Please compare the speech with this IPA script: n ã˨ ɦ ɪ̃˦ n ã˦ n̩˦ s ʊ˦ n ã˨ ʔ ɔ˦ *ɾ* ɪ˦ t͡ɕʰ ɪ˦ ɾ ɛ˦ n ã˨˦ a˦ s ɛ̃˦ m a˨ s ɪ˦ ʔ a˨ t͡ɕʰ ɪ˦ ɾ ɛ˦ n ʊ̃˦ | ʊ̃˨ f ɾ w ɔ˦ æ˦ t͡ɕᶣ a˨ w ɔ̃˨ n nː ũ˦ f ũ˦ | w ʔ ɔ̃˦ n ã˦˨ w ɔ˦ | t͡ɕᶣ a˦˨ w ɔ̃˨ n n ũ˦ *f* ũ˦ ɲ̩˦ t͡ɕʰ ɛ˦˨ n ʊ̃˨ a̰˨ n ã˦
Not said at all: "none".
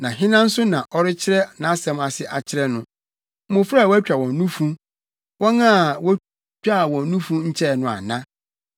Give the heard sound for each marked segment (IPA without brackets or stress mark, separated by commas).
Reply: ɾ, f